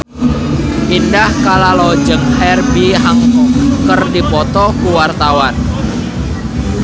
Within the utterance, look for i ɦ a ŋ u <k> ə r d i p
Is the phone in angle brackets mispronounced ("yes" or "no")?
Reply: no